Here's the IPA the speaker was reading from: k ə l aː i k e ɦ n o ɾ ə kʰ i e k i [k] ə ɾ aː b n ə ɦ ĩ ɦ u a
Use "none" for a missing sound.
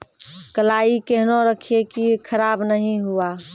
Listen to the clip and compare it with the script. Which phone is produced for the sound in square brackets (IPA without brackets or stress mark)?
kʰ